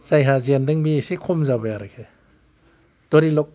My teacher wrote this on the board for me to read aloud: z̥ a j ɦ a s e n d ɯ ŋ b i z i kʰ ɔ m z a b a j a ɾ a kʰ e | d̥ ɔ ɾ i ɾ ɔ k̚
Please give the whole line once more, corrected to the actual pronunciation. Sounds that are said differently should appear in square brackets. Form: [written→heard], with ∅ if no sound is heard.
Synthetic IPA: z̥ a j ɦ a [s→z] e n d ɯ ŋ b i [z→s] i kʰ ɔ m z a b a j a ɾ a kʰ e | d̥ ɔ ɾ i [ɾ→l] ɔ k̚